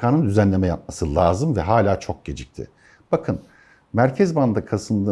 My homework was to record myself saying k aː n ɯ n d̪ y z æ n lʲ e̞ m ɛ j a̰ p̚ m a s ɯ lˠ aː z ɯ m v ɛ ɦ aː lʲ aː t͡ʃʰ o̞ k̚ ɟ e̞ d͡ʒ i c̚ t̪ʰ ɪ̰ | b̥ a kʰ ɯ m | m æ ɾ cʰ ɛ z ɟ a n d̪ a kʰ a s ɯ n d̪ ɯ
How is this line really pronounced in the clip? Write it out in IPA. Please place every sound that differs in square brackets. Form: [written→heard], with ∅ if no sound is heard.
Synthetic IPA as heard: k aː n ɯ n d̪ y z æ n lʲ e̞ m ɛ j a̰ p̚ m a s ɯ lˠ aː z ɯ m v ɛ ɦ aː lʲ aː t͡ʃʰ o̞ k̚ ɟ e̞ d͡ʒ i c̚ t̪ʰ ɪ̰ | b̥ a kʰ ɯ [m→n] | m æ ɾ cʰ ɛ z [ɟ→b] a n d̪ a kʰ a s ɯ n d̪ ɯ